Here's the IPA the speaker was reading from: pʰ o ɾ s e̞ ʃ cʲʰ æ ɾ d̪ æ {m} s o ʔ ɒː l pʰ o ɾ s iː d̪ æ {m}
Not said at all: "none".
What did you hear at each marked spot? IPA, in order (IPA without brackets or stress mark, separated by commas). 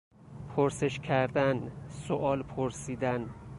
n, n